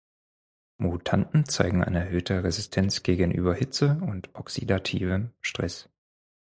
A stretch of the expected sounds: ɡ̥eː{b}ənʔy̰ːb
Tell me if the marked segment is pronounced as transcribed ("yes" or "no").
no